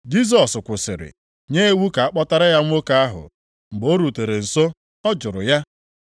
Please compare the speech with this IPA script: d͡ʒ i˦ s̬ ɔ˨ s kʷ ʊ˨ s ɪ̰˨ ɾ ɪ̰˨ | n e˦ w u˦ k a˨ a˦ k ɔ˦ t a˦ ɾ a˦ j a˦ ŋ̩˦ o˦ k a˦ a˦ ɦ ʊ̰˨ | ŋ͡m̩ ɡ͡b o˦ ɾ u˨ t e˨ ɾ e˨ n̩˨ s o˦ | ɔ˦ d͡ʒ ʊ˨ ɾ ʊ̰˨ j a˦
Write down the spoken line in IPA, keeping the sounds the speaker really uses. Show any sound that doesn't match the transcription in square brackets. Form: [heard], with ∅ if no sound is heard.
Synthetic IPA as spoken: d͡ʒ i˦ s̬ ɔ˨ s kʷ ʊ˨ s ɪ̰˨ ɾ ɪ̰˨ | [ɲ] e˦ w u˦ k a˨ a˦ [k͡p] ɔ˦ t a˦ ɾ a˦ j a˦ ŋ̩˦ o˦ k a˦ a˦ ɦ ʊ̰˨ | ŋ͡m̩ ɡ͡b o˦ ɾ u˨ t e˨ ɾ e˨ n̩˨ s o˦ | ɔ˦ d͡ʒ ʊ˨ ɾ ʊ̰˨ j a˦